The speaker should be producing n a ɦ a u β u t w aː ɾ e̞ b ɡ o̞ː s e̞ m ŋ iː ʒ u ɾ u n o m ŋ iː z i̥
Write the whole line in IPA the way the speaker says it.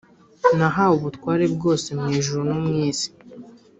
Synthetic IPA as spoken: n a ɦ a u β u t w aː ɾ e̞ b ɡ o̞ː s e̞ m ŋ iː ʒ u ɾ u n o m ŋ iː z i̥